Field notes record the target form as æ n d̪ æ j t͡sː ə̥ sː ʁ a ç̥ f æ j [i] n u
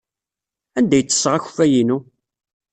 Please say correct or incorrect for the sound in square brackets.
correct